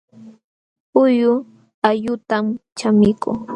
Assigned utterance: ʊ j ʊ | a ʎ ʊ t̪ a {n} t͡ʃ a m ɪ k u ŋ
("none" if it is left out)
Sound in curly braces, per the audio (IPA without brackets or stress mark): m